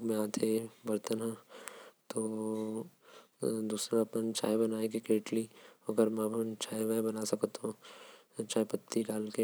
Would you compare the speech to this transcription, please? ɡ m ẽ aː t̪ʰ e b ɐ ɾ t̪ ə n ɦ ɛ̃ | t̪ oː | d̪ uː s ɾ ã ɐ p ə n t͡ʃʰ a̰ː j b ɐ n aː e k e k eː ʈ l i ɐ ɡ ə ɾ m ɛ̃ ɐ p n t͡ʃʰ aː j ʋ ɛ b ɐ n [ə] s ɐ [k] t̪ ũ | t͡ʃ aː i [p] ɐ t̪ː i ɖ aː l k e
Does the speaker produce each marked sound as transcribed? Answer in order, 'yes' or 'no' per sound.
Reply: no, yes, yes

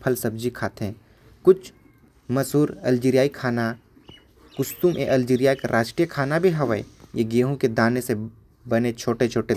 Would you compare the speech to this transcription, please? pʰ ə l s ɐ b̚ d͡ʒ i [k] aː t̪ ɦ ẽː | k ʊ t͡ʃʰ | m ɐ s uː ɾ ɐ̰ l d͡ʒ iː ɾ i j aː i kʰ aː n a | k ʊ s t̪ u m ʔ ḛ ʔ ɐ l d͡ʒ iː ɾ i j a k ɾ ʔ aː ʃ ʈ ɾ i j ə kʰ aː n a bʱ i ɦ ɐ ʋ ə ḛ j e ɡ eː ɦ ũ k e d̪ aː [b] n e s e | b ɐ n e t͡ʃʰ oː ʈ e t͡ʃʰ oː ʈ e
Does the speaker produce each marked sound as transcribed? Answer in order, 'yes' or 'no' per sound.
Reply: no, no

